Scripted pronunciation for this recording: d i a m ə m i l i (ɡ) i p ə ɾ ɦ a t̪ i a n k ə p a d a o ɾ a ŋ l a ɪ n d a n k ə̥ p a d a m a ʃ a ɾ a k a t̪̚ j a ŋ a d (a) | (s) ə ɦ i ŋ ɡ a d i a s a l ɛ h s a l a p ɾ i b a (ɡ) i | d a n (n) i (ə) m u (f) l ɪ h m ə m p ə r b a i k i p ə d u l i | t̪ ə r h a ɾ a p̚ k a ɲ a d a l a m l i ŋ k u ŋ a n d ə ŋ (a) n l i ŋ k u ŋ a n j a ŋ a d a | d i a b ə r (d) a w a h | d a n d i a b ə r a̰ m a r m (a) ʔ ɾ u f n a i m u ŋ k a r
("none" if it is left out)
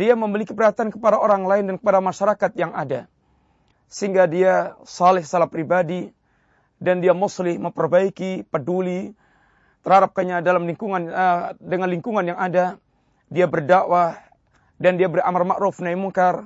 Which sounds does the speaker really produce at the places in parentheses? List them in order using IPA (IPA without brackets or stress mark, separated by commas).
k, a, s, d, d, a, s, a, d, a